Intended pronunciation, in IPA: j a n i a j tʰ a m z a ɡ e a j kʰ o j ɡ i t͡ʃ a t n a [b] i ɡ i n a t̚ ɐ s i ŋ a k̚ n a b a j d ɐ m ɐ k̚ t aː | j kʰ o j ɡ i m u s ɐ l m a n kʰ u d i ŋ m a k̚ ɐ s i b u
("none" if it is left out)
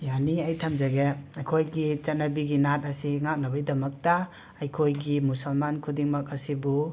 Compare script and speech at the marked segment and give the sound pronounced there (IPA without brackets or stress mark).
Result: b